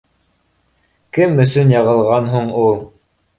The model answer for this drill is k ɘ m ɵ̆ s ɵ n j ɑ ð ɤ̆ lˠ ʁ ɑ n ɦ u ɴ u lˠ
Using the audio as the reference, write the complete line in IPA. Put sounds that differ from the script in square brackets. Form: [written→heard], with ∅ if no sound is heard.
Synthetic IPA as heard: k ɘ m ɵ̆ s ɵ n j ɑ [ð→ʁ] ɤ̆ lˠ ʁ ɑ n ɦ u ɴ u lˠ

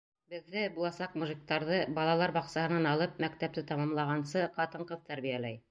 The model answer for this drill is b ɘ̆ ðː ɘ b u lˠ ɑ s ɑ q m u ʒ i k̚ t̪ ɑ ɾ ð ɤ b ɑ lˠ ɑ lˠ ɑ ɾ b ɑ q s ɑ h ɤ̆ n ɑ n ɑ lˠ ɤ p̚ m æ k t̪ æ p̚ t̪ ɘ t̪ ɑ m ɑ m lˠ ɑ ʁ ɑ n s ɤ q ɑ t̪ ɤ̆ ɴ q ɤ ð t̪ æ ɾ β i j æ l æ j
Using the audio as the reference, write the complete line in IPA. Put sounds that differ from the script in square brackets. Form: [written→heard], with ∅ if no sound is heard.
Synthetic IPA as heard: b ɘ̆ ðː ɘ b u lˠ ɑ s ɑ q m u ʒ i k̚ t̪ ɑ ɾ ð ɤ b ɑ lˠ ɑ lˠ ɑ ɾ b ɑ q s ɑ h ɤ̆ n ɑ n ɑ lˠ ɤ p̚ m æ k t̪ æ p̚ t̪ ɘ t̪ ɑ m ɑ m lˠ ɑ ʁ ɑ n s ɤ q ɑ t̪ ɤ̆ ɴ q ɤ ð t̪ æ ɾ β i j æ l æ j

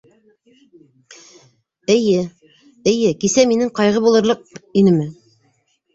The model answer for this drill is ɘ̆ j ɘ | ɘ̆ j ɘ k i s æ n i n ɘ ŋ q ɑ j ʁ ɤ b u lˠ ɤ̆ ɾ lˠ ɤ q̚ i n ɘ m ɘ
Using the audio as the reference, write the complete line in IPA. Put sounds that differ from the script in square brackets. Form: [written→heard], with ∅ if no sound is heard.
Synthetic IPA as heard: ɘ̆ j ɘ | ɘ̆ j ɘ k i s æ [n→m] i n ɘ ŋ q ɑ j ʁ ɤ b u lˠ ɤ̆ ɾ lˠ ɤ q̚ i n ɘ m ɘ

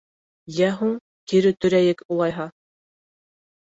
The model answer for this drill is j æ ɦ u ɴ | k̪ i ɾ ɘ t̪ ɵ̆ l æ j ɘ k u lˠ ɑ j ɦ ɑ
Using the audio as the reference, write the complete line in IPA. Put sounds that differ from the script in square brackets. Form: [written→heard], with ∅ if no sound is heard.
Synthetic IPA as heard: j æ ɦ u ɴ | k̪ i ɾ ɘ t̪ ɵ̆ [l→ɾ] æ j ɘ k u lˠ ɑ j ɦ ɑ

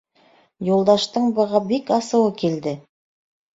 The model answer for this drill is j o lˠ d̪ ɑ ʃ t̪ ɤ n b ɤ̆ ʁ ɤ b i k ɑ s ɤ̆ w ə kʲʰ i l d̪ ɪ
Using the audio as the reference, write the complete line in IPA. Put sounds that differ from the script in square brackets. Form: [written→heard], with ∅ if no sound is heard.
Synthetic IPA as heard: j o lˠ d̪ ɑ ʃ t̪ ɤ [n→ɴ] b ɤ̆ ʁ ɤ b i k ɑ s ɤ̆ w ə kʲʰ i l d̪ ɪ

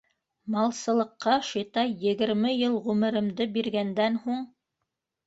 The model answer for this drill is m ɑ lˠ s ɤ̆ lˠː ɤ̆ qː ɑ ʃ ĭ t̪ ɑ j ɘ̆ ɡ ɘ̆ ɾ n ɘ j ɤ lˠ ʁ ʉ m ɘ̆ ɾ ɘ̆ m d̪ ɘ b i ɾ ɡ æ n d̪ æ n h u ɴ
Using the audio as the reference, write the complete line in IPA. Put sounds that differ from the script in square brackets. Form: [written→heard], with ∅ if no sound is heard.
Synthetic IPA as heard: m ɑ lˠ s ɤ̆ [lˠː→lˠ] ɤ̆ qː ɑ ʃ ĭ t̪ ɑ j ɘ̆ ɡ ɘ̆ ɾ [n→m] ɘ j ɤ lˠ ʁ ʉ m ɘ̆ ɾ ɘ̆ m d̪ ɘ b i ɾ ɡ æ n d̪ æ n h u ɴ

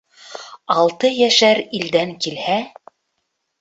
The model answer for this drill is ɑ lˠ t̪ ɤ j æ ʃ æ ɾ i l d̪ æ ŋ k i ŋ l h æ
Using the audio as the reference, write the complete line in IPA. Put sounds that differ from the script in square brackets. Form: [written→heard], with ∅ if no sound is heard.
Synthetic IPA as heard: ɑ lˠ t̪ ɤ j æ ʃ æ ɾ i l d̪ æ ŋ k i [ŋ→∅] l h æ

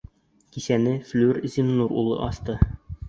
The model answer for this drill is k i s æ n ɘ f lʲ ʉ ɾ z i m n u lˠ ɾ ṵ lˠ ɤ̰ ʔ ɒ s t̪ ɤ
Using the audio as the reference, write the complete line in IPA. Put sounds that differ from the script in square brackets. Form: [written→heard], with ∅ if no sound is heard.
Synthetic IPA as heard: k i s æ n ɘ f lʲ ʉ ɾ z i m n u [lˠ→∅] ɾ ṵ lˠ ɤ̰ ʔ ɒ s t̪ ɤ

